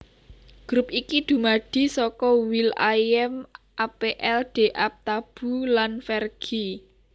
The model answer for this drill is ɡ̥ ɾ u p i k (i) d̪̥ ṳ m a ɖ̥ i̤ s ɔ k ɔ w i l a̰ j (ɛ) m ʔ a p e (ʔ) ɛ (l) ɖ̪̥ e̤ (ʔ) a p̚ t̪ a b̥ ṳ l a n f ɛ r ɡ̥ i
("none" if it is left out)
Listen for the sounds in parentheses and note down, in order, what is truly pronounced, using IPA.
i, ɛ, ʔ, l, ʔ

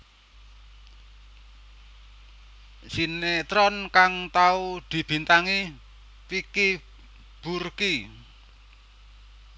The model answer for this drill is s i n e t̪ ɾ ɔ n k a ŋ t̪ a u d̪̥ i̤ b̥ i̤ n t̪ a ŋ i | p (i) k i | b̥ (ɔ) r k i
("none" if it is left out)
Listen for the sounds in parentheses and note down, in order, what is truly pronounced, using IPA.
i, u

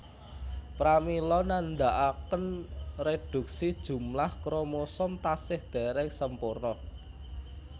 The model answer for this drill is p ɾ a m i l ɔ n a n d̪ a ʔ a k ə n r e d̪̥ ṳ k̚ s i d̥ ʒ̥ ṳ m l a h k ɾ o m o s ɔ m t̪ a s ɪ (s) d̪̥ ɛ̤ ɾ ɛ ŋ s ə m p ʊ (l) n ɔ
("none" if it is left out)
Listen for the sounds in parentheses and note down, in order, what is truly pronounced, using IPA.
h, r

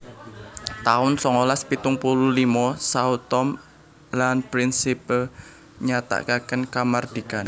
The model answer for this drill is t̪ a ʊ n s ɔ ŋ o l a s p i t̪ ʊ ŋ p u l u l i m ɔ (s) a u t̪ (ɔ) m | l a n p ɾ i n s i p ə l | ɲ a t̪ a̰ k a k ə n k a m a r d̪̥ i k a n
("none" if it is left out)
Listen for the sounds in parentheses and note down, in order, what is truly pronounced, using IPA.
s, ɔ

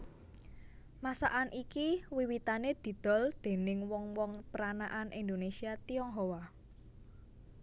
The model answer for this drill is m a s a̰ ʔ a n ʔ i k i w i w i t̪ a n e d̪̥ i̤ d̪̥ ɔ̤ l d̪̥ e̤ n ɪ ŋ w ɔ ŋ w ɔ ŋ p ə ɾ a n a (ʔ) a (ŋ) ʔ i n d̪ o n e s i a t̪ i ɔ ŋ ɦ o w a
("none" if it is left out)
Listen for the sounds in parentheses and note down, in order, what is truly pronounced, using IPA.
ʔ, n

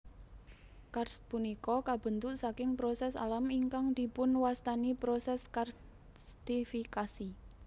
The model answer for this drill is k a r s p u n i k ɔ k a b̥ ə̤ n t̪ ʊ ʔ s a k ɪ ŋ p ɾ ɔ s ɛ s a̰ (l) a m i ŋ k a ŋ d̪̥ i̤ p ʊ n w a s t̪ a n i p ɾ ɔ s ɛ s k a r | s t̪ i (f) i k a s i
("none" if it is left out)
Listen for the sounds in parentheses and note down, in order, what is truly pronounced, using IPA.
l, f

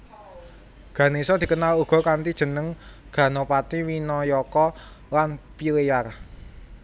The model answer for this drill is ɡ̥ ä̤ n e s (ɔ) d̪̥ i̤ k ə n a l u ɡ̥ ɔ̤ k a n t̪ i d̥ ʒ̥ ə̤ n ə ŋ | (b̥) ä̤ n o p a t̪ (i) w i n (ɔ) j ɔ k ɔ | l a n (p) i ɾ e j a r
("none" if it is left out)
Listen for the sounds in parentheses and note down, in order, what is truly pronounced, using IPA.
ɔ, ɡ̥, i, ɔ, p

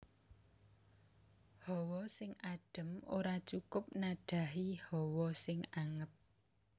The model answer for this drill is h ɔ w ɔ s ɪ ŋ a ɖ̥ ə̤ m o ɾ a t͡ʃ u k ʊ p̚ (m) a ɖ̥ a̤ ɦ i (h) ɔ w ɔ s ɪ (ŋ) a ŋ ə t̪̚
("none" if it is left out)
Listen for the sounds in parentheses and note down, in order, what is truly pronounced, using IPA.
n, h, ŋ

